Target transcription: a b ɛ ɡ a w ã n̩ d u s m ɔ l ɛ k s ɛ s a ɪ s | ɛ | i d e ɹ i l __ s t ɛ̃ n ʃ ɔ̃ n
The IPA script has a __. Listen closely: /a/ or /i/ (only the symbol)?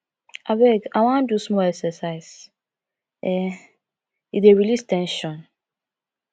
i